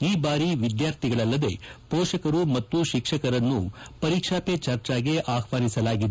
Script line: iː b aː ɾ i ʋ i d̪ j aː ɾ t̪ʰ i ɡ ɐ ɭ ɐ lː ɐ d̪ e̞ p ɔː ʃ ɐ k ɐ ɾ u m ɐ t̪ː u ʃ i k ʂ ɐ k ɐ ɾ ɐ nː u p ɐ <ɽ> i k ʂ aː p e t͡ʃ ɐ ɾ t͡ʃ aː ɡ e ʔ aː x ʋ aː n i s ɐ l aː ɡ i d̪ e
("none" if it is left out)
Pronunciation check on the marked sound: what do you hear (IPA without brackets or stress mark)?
ɾ